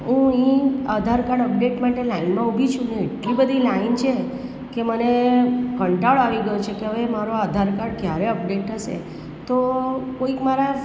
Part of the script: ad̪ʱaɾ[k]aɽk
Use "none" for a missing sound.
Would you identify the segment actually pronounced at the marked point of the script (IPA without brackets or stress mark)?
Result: k